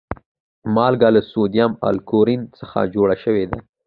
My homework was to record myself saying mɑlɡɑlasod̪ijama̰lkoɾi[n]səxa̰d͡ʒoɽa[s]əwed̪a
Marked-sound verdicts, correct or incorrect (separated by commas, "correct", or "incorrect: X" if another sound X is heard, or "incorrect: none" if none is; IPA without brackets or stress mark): correct, incorrect: ʃ